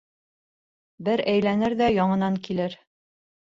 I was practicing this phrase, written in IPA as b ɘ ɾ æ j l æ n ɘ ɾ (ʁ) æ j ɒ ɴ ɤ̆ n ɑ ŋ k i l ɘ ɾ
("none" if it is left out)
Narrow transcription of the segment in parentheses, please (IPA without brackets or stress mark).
ð